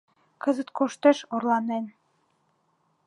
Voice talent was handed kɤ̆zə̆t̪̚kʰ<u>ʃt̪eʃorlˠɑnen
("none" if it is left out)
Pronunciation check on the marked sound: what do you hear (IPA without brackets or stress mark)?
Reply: o